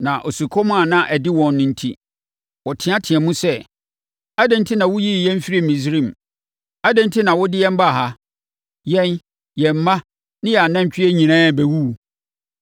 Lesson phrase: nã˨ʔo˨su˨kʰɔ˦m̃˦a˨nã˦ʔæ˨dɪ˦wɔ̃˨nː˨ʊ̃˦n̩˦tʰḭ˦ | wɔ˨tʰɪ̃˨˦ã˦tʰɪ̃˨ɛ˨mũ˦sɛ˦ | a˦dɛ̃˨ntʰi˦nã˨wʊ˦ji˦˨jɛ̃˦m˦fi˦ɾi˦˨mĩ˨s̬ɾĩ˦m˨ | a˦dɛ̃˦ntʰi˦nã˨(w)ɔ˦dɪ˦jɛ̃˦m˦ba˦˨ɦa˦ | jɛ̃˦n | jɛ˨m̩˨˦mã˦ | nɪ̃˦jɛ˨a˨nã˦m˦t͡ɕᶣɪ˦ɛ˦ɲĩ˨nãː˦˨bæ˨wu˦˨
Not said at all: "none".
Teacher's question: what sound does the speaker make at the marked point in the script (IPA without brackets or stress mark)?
w